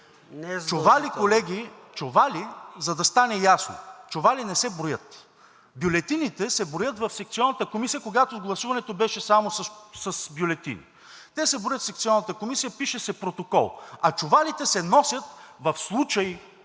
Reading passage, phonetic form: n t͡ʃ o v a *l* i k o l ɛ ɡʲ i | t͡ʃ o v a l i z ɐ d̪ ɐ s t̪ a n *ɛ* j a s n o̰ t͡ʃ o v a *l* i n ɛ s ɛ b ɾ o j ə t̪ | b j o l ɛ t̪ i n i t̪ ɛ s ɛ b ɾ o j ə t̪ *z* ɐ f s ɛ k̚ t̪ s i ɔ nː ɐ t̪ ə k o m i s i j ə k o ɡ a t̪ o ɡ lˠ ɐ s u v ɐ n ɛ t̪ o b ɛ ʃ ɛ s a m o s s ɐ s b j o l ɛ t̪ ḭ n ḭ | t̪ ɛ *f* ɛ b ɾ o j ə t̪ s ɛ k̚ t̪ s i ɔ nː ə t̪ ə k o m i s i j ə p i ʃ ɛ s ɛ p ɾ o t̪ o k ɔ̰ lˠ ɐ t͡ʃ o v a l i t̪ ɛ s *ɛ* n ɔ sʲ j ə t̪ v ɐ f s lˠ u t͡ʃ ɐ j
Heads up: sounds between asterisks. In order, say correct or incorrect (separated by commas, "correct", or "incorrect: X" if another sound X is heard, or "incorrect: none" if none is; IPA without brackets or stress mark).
correct, correct, correct, incorrect: v, incorrect: s, correct